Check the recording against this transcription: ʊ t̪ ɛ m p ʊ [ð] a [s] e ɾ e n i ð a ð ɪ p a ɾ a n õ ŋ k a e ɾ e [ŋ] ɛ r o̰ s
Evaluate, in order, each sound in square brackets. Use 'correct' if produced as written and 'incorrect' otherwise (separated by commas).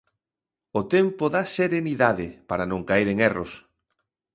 correct, correct, correct